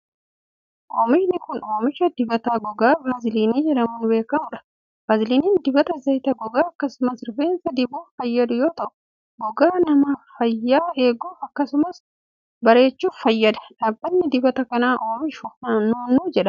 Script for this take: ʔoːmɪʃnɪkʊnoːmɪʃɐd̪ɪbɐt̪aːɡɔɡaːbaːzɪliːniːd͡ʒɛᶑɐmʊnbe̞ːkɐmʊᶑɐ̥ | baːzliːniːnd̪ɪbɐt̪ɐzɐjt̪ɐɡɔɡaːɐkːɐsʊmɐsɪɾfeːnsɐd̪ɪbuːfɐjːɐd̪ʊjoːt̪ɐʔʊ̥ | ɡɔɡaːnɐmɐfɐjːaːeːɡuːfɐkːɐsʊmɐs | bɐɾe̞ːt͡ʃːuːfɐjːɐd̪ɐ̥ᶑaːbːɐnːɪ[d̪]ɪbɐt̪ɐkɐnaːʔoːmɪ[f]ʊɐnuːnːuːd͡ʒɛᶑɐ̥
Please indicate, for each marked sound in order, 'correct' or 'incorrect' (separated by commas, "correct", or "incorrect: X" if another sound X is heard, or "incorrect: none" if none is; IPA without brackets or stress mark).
correct, incorrect: ʃ